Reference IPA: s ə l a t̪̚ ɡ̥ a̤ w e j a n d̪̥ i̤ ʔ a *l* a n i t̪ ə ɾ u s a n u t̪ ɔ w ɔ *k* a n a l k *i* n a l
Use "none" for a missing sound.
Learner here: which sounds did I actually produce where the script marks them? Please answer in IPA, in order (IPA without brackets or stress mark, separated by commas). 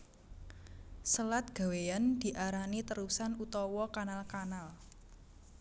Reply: ɾ, k, a